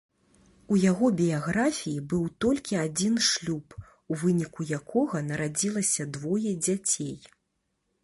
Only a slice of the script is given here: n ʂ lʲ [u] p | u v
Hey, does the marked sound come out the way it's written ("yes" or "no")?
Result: yes